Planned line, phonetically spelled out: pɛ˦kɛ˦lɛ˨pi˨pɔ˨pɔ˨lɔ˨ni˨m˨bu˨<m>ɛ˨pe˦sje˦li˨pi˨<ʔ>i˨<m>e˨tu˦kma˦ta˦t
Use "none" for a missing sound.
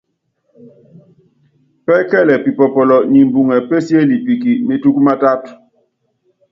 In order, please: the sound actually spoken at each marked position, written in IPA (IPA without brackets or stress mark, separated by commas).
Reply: ŋ, k, m